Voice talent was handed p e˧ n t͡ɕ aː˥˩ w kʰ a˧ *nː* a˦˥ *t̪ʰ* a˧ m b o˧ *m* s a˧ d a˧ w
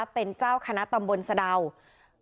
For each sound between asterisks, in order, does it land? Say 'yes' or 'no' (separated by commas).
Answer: no, no, no